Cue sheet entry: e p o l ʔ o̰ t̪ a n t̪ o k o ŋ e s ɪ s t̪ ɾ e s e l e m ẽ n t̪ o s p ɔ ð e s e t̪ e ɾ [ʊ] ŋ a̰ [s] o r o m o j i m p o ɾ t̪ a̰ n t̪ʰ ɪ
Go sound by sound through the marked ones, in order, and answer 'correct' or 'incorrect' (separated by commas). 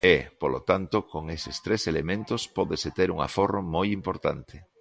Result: incorrect, incorrect